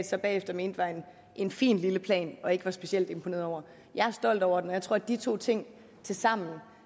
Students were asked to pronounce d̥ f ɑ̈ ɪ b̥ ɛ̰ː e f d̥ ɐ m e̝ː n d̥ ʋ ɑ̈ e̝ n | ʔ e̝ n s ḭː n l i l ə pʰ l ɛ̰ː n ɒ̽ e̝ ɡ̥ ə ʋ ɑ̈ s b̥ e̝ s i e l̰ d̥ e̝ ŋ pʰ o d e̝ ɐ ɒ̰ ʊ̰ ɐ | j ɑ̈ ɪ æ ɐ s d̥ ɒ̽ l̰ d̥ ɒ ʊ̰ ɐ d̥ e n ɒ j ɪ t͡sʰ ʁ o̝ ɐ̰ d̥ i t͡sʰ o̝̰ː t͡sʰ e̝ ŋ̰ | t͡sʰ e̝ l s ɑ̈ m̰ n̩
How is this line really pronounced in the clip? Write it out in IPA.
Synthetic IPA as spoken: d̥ s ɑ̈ ɪ b̥ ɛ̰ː e f d̥ ɐ m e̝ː n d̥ ʋ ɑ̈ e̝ n | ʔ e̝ n f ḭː n l i l ə pʰ l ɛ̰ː n ɒ̽ e̝ ɡ̥ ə ʋ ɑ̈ s b̥ e̝ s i e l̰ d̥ e̝ m pʰ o n e̝ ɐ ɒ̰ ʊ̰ ɐ | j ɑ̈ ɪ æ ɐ s d̥ ɒ̽ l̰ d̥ ɒ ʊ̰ ɐ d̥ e n ɒ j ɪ t͡sʰ ʁ o̝ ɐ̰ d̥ i t͡sʰ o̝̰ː t͡sʰ e̝ ŋ̰ | t͡sʰ e̝ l s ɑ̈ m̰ n̩